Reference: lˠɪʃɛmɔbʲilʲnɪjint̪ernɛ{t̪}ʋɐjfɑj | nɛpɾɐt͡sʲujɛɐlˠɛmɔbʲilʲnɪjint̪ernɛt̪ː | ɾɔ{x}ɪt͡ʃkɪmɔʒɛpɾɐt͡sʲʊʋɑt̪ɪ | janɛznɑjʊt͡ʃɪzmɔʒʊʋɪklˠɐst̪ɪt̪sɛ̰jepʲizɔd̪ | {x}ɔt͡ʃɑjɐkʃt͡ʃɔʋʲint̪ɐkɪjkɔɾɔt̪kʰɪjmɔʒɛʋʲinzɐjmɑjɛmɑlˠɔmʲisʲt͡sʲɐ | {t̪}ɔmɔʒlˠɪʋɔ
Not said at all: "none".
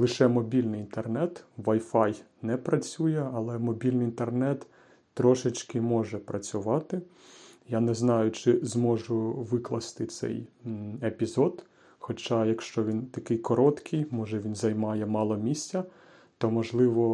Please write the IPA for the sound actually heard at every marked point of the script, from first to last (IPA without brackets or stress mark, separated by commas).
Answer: t̪, ʃ, x, t̪